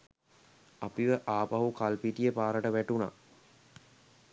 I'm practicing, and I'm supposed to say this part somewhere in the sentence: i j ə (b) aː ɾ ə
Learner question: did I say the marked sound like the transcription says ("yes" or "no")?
no